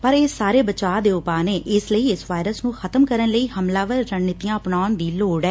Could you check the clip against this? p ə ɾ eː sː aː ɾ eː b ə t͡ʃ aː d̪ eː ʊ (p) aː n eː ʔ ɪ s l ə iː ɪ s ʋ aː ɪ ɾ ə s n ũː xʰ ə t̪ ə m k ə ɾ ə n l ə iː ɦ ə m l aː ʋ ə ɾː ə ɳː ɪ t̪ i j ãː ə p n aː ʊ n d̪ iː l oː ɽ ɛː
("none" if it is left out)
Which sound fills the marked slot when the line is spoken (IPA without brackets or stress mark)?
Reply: p